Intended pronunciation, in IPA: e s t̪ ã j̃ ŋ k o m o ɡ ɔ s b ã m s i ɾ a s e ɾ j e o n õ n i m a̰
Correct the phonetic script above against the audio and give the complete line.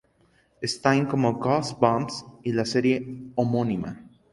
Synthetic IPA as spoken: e s t̪ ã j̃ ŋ k o m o ɡ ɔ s b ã m s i l a s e ɾ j e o m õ n i m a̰